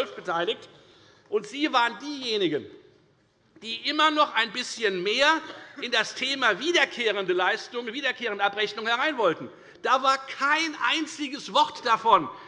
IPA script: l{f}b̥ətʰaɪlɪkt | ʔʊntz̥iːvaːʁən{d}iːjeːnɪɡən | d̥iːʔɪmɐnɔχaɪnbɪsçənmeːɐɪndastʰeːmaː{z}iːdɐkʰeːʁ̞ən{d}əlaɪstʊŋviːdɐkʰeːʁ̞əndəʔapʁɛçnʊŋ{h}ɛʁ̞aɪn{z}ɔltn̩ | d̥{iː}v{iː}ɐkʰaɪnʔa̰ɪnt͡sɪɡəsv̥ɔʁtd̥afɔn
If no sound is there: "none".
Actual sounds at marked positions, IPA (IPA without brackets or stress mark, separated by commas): f, d, v, d, h, v, aː, aː